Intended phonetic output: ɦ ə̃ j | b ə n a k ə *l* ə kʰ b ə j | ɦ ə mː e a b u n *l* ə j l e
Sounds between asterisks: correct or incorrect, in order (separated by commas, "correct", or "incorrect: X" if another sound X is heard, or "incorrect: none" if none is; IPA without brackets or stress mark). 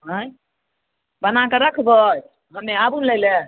incorrect: ɾ, correct